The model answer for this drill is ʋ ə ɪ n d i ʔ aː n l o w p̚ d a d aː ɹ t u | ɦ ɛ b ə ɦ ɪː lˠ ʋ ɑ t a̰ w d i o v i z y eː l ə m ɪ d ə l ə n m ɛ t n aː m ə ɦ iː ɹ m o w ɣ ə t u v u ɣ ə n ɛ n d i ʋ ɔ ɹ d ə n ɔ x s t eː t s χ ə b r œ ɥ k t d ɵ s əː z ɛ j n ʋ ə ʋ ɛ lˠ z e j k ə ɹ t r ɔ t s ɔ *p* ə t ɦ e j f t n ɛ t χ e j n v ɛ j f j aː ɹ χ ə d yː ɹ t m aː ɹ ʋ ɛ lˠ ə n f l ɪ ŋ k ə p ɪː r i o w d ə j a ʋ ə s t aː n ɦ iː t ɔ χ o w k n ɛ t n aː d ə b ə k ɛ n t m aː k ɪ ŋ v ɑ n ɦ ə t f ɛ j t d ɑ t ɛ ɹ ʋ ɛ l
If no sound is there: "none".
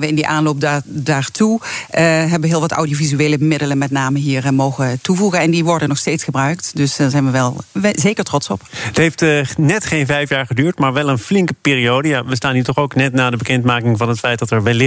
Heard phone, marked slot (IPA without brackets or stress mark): p